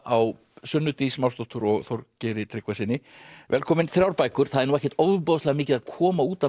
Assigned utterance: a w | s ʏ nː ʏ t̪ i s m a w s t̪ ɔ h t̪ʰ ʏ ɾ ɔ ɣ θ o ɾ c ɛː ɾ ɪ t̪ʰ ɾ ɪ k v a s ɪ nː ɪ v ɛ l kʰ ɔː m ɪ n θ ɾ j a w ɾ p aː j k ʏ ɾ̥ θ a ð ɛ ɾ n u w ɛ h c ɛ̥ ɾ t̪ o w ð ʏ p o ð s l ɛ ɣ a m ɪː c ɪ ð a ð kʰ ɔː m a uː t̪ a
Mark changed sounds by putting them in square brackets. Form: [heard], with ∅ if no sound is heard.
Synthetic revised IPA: a w | s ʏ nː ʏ t̪ i s m a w s t̪ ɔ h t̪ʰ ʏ ɾ ɔ ɣ θ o ɾ c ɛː ɾ ɪ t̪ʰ ɾ ɪ k v a s ɪ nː ɪ v ɛ l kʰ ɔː m ɪ n θ ɾ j a w ɾ p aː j k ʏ ɾ̥ θ a ð ɛ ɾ n u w ɛ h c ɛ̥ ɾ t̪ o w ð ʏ p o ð s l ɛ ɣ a m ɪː c ɪ ð a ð kʰ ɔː m a uː t̪ a